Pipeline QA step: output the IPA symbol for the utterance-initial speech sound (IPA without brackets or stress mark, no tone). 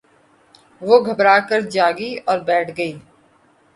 ʋ